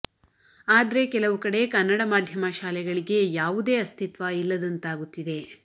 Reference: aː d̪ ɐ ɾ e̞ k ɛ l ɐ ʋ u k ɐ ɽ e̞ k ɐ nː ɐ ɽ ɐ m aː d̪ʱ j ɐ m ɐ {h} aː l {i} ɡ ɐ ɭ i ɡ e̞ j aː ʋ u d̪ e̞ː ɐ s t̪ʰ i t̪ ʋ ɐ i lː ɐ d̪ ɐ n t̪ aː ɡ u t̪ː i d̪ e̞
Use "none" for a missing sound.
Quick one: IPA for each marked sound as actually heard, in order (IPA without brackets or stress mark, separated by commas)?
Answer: ʃ, ɛ